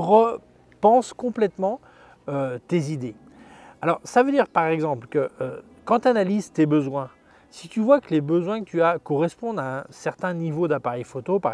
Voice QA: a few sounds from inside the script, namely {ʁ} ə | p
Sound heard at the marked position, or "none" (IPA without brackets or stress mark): ʁ